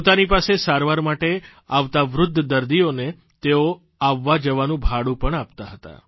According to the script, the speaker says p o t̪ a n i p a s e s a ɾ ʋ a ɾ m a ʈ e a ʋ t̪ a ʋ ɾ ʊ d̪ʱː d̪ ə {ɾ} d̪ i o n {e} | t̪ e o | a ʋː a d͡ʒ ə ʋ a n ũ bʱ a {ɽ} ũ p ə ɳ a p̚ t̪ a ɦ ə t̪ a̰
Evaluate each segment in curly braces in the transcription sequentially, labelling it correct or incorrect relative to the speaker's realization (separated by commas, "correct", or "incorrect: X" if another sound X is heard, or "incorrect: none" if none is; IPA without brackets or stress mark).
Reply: correct, correct, correct